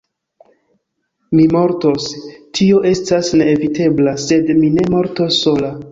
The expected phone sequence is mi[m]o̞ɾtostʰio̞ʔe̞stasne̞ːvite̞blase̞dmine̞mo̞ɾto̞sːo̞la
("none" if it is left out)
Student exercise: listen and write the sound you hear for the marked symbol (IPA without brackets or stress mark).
m